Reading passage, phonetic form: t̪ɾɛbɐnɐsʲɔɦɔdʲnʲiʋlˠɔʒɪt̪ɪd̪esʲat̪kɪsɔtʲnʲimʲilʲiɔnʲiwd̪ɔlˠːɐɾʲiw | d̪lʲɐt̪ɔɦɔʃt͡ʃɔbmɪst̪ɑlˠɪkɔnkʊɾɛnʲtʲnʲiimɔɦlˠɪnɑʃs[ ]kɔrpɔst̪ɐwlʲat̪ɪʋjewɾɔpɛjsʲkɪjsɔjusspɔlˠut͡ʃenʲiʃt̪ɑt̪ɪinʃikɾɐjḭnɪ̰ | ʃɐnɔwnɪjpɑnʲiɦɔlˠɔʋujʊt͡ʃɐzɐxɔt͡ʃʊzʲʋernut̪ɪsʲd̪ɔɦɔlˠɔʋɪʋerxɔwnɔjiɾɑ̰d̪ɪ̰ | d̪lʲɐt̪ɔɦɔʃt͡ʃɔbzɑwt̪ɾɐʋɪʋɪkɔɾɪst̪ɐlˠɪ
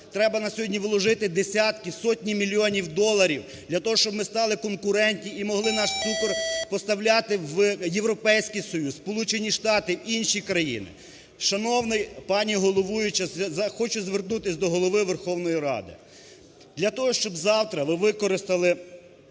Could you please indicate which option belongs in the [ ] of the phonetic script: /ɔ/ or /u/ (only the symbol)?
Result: u